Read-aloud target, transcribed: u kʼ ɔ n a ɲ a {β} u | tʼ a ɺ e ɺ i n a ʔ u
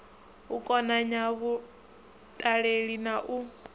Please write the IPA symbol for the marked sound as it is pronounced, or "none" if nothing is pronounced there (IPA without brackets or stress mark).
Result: β